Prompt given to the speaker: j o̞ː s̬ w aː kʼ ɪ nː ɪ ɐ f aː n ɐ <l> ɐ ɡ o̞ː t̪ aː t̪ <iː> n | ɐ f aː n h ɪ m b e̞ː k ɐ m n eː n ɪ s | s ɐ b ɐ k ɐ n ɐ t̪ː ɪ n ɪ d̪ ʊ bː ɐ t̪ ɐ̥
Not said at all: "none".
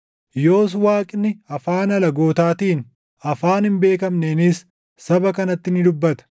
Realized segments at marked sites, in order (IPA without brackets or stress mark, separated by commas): l, iː